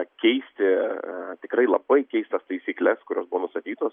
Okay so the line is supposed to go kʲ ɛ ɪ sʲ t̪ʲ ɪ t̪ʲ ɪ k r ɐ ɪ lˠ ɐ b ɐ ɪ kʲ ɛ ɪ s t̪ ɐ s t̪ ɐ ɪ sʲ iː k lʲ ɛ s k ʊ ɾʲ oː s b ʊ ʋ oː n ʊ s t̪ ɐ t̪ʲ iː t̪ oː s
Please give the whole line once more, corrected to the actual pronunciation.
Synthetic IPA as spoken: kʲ ɛ ɪ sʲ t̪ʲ ɪ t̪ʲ ɪ k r ɐ ɪ lˠ ɐ b ɐ ɪ kʲ ɛ ɪ s t̪ ɐ s t̪ ɐ ɪ sʲ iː k lʲ ɛ s k ʊ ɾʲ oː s b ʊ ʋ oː n ʊ s t̪ ɐ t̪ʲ iː t̪ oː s